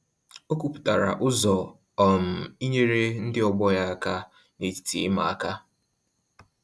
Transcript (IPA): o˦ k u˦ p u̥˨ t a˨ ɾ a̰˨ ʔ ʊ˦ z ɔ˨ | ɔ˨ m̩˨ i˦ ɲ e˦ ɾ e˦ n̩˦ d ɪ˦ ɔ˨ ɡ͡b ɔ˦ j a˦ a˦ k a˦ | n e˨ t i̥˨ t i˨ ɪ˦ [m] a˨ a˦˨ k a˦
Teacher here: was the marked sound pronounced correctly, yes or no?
yes